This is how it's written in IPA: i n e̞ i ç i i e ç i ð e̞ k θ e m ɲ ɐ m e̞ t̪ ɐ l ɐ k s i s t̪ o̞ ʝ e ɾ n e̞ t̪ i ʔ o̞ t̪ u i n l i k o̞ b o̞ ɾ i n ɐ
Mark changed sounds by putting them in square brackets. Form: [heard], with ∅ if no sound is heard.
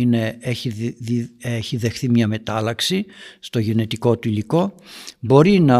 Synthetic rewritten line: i n e̞ [e] ç i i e ç i ð e̞ [x] θ [i] m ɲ ɐ m e̞ t̪ ɐ l ɐ k s i s t̪ o̞ ʝ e [∅] n e̞ t̪ i [k] o̞ t̪ u i [∅] l i k o̞ b o̞ ɾ i n ɐ